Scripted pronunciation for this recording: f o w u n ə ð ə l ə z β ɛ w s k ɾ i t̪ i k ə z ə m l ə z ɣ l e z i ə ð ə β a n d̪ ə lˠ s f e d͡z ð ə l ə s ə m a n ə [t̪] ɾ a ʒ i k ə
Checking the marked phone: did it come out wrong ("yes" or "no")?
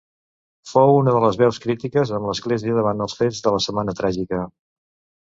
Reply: no